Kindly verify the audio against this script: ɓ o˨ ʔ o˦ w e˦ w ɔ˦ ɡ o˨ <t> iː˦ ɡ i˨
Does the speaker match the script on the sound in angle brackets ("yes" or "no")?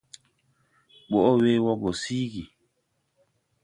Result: no